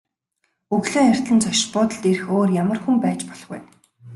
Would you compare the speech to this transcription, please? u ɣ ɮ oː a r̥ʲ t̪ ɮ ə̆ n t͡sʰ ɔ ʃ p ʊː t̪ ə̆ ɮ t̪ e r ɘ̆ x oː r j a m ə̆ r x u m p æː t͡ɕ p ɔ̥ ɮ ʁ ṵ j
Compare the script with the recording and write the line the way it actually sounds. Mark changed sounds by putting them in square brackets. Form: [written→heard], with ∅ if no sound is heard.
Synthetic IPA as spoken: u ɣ ɮ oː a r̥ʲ t̪ ɮ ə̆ n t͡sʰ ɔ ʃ p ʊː t̪ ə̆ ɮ t̪ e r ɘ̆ x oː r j a m ə̆ r x u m p æː t͡ɕ p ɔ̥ ɮ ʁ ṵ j

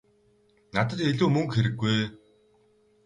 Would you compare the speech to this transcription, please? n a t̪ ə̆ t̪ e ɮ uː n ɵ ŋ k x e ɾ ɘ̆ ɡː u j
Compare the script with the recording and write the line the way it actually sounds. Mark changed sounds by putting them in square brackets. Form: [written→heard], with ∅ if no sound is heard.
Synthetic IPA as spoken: n a t̪ ə̆ t̪ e ɮ uː [n→m] ɵ ŋ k x e ɾ ɘ̆ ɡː u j

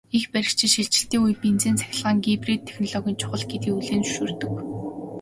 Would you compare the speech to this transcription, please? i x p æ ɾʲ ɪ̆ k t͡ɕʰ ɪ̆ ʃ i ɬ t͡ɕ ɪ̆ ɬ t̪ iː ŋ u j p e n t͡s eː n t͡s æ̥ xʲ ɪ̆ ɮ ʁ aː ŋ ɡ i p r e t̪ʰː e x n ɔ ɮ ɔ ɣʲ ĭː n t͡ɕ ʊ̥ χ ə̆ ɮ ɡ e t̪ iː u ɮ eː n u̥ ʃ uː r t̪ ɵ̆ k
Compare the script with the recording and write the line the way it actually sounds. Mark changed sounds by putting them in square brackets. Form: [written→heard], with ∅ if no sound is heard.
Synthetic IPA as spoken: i x p æ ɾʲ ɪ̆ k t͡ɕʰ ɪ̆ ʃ i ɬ t͡ɕ ɪ̆ ɬ t̪ iː ŋ u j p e n t͡s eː n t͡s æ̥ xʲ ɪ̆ ɮ ʁ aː ŋ ɡ i p r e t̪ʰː e x n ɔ ɮ ɔ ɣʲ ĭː n [t͡ɕ→t͡ɕʰ] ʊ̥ χ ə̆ ɮ ɡ e t̪ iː u ɮ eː n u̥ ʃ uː r t̪ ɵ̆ k

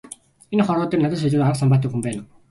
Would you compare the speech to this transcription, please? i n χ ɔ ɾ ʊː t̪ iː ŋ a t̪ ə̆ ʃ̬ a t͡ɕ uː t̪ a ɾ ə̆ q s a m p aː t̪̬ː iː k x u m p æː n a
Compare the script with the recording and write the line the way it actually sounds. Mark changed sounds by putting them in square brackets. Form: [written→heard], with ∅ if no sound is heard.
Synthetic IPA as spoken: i n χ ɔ ɾ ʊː t̪ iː [ŋ→n] a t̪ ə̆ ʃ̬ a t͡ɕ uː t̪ a ɾ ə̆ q s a m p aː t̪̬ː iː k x u m p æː n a

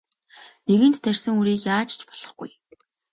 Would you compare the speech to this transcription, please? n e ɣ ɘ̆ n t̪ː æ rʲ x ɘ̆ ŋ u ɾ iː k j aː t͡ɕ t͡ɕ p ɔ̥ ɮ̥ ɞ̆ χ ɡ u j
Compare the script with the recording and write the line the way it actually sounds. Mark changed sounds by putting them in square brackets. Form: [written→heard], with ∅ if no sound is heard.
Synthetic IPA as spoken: n e ɣ ɘ̆ n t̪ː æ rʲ [x→s] ɘ̆ ŋ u ɾ iː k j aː t͡ɕ t͡ɕ p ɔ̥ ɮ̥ ɞ̆ χ ɡ u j

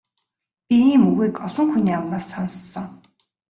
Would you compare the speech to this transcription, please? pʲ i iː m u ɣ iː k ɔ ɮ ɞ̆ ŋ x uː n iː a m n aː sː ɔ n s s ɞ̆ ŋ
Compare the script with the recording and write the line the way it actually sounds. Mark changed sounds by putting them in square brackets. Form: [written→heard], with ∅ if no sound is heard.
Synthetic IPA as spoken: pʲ i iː m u ɣ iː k ɔ ɮ ɞ̆ ŋ x [uː→u] n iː a m n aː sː ɔ n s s ɞ̆ ŋ

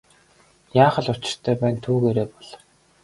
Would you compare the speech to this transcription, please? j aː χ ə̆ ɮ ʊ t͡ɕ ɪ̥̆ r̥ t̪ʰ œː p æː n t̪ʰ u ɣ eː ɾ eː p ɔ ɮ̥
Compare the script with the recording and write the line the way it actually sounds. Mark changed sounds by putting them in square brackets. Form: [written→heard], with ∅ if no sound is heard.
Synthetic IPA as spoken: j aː χ ə̆ ɮ ʊ t͡ɕ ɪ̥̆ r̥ t̪ʰ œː p æː n t̪ʰ [u→uː] ɣ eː ɾ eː p ɔ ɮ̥

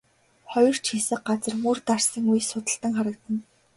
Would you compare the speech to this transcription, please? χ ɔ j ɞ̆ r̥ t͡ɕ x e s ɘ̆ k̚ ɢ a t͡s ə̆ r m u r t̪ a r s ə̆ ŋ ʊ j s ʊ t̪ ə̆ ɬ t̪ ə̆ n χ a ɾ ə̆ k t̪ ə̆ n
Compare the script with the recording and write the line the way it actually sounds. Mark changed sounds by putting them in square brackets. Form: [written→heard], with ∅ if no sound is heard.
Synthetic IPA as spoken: χ ɔ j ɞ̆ r̥ t͡ɕ x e s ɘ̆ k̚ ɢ a t͡s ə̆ r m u r t̪ a r s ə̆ ŋ [ʊ→u] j s ʊ t̪ ə̆ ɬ t̪ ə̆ [n→ŋ] χ a ɾ ə̆ k t̪ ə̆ n

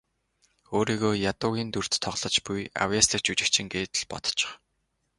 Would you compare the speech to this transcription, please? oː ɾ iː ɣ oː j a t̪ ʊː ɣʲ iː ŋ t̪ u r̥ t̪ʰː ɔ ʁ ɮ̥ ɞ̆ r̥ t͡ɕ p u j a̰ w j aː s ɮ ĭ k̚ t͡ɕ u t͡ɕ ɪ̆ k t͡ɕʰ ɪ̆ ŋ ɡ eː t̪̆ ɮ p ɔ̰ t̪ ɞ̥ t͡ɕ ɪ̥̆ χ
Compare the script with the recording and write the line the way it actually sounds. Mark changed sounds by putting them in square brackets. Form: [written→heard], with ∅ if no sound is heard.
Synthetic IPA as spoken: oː ɾ iː ɣ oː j a t̪ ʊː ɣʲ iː [ŋ→n] t̪ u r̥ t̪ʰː ɔ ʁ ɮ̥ ɞ̆ [r̥→∅] t͡ɕ p u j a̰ w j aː s ɮ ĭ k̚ t͡ɕ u t͡ɕ ɪ̆ k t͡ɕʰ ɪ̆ ŋ ɡ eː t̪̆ ɮ p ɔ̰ t̪ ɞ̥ t͡ɕ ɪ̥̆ χ

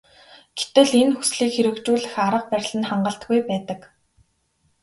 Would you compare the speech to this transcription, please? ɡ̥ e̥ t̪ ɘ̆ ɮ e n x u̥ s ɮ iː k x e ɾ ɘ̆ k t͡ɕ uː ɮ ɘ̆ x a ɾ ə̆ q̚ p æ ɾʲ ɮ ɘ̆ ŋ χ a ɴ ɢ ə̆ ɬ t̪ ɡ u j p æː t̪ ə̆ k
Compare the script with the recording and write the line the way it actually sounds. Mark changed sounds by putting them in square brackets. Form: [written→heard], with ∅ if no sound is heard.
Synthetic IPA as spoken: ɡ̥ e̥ t̪ ɘ̆ ɮ e n x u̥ s ɮ iː k x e ɾ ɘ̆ k t͡ɕ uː ɮ ɘ̆ x a ɾ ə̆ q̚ p æ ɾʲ ɮ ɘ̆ [ŋ→n] χ a ɴ ɢ ə̆ ɬ t̪ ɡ u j p æː t̪ ə̆ k

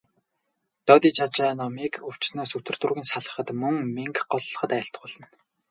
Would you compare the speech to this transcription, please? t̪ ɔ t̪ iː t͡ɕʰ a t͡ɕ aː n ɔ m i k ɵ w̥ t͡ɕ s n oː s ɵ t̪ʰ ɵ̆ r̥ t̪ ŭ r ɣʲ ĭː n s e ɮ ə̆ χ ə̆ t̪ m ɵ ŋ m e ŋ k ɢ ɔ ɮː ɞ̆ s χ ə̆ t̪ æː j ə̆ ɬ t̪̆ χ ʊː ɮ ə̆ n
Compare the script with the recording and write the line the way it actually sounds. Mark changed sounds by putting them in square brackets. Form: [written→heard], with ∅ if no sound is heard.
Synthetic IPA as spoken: t̪ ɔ t̪ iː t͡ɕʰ a t͡ɕ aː n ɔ m i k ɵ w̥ t͡ɕ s n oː s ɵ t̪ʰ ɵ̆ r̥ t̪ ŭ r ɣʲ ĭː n s [e→a] ɮ ə̆ χ ə̆ t̪ m ɵ ŋ m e ŋ k ɢ ɔ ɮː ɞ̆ [s→∅] χ ə̆ t̪ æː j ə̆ ɬ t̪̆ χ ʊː ɮ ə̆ n

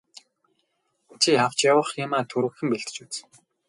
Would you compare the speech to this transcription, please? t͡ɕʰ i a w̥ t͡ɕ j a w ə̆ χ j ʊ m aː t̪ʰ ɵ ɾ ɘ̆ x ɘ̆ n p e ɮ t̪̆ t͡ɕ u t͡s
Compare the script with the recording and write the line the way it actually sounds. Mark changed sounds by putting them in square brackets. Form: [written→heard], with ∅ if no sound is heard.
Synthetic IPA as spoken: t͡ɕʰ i a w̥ t͡ɕ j a w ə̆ χ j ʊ m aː t̪ʰ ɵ ɾ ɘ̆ x ɘ̆ [n→m] p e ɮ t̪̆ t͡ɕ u t͡s

